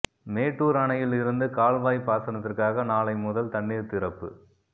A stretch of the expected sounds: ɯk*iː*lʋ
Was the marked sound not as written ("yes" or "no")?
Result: yes